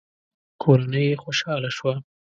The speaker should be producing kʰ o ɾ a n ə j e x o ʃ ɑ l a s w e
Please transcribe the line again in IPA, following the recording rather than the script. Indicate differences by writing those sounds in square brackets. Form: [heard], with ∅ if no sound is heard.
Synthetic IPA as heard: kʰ o ɾ a n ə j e x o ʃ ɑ l a [ʃ] w [a]